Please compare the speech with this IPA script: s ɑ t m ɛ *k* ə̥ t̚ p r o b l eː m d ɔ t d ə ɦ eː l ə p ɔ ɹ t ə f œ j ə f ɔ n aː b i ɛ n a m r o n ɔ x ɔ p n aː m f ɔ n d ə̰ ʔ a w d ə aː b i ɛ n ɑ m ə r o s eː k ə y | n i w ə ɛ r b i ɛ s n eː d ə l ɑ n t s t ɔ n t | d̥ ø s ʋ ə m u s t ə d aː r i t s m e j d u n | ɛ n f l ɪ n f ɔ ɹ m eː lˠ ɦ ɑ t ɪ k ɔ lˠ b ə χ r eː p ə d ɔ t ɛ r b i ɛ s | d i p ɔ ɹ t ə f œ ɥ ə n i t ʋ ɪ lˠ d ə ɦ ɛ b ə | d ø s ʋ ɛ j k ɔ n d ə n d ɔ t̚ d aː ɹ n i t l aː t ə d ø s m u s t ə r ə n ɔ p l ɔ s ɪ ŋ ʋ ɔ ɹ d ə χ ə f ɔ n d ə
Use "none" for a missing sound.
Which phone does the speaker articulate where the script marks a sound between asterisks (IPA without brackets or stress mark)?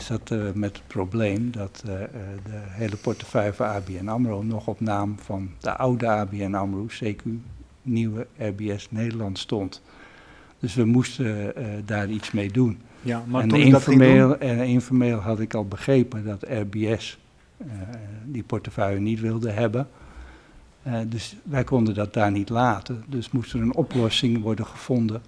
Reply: t